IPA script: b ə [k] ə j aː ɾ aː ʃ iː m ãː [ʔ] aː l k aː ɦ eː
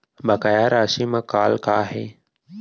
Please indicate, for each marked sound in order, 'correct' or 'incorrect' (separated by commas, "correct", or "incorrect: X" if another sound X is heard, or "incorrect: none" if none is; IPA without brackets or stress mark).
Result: correct, incorrect: k